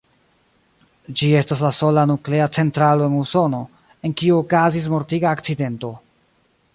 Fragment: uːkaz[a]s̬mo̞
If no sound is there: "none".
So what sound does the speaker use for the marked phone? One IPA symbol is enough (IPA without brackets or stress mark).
i